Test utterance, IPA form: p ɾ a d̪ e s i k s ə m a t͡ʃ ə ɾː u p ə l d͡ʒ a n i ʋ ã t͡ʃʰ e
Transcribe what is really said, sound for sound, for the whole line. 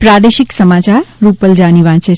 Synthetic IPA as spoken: p ɾ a d̪ e ʃ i k s ə m a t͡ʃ a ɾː u p ə l d͡ʒ a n i ʋ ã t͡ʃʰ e